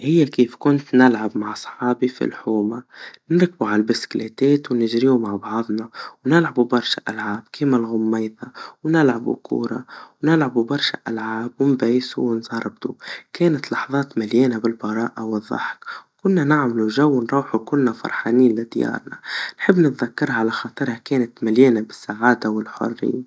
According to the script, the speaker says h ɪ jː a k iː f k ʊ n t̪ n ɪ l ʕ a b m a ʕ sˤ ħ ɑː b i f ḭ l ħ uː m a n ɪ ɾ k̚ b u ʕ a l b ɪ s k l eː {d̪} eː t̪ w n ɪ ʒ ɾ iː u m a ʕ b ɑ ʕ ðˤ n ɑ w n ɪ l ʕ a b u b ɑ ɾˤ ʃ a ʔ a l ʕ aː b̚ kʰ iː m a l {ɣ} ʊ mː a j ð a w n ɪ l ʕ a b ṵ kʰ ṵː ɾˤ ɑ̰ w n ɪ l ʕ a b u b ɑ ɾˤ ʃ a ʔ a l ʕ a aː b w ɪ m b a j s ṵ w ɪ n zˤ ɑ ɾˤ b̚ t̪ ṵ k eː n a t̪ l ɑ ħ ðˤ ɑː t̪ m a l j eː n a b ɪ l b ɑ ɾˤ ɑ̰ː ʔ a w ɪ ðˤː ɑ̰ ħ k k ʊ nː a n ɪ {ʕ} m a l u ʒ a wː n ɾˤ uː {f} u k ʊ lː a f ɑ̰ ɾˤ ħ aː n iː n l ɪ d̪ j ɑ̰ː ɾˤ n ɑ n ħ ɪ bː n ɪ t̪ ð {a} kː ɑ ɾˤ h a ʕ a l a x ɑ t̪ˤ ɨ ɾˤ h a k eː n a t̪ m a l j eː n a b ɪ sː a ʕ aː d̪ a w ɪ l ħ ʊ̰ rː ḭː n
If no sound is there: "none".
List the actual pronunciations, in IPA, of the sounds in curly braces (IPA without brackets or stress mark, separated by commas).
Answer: t̪, ɣ, ʕ, ħ, a